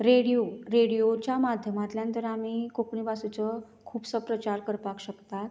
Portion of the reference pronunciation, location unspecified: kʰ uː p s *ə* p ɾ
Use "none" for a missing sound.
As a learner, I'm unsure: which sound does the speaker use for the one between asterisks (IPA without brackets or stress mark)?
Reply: ə